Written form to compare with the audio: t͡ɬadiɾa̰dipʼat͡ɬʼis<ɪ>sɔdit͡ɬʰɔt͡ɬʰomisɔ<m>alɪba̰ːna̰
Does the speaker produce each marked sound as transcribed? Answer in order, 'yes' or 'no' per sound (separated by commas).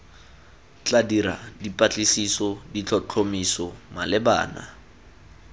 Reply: no, yes